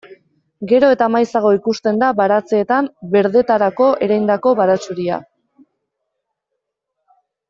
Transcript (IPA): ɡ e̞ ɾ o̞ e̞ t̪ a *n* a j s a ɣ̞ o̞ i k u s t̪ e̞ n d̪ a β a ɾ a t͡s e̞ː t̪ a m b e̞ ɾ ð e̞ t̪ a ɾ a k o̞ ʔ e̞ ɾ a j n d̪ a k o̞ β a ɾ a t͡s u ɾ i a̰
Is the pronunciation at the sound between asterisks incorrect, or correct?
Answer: incorrect